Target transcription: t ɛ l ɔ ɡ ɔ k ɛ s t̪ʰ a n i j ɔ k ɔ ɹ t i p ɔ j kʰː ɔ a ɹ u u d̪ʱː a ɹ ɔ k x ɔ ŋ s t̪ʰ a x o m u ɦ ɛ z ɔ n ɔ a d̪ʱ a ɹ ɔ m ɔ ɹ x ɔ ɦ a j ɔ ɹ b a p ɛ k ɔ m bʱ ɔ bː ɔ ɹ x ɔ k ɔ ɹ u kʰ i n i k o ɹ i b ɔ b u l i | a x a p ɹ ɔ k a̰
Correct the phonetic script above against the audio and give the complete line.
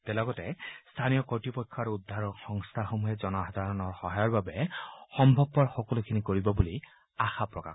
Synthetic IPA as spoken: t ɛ l ɔ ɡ ɔ t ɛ s t̪ʰ a n i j ɔ k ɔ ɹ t i p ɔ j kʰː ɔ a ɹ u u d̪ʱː a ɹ ɔ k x ɔ ŋ s t̪ʰ a x o m u ɦ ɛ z ɔ n ɔ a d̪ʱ a ɹ ɔ n ɔ ɹ x ɔ ɦ a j ɔ ɹ b a b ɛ x ɔ m bʱ ɔ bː ɔ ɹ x ɔ k ɔ l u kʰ i n i k o ɹ i b ɔ b u l i | a x a p ɹ ɔ k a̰